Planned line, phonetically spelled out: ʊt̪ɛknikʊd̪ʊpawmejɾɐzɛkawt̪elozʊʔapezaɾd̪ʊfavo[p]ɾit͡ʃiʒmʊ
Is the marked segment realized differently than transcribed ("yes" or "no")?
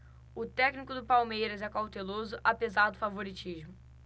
yes